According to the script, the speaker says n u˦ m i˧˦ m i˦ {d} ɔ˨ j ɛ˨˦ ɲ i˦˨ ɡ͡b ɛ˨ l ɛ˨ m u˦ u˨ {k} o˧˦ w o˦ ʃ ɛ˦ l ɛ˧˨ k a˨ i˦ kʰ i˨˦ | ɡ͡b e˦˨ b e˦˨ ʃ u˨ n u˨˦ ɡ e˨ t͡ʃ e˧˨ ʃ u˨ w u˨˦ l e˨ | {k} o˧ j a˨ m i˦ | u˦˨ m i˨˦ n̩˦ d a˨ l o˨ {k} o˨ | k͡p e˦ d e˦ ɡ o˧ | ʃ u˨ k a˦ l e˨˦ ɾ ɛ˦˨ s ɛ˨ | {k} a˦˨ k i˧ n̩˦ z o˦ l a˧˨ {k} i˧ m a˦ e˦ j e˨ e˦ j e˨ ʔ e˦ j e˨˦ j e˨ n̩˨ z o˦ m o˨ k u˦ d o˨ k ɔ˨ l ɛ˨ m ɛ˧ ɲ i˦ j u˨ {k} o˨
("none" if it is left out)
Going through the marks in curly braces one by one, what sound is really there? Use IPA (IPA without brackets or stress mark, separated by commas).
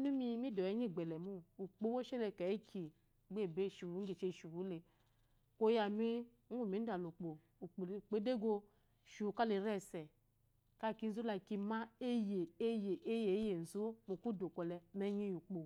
d, k͡p, k, k͡p, k, k, k͡p